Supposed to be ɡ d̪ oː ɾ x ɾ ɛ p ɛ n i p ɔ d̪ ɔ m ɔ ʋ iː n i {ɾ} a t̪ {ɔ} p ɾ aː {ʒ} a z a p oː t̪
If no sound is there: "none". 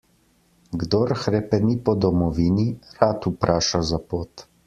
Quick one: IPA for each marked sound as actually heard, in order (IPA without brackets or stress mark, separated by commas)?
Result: ɾ, u, ʃ